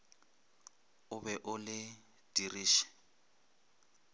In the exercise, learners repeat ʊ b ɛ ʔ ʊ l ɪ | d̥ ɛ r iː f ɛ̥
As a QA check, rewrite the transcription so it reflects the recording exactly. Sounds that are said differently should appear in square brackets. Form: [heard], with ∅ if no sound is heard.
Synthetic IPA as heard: ʊ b ɛ ʔ ʊ l ɪ | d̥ [i] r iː [ʃ] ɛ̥